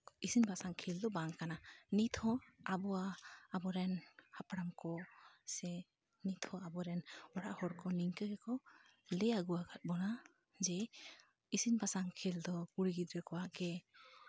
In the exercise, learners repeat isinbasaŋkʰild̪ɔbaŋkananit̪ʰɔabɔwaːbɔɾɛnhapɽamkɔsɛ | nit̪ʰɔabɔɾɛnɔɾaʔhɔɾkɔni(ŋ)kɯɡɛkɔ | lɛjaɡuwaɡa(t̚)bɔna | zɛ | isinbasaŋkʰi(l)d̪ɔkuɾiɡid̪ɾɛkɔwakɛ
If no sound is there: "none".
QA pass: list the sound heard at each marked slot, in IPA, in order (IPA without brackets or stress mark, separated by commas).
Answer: ŋ, t̚, l